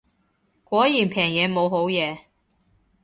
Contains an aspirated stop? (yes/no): yes